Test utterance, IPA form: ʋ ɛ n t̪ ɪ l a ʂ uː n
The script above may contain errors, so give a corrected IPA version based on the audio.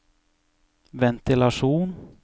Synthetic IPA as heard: v ɛ n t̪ ɪ l a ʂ uː n